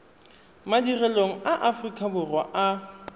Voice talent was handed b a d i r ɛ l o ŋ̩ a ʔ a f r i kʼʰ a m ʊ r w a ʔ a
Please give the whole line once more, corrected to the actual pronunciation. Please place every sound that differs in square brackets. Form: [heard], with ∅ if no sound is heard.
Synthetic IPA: [m] a d i r ɛ l o ŋ̩ a ʔ a f r i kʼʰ a [b] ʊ r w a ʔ a